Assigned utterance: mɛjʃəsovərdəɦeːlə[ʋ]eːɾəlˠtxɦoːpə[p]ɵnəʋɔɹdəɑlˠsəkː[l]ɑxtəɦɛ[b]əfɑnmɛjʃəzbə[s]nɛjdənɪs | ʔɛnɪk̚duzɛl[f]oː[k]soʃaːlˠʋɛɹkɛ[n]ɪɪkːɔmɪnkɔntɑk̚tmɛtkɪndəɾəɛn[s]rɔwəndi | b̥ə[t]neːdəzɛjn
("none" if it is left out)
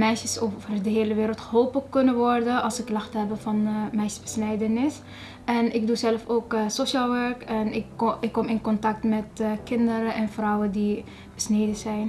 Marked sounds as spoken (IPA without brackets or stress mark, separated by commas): ʋ, k, l, b, s, f, k, n, f, s